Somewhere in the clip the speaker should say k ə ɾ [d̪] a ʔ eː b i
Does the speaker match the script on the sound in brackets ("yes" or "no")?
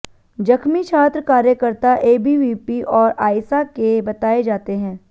no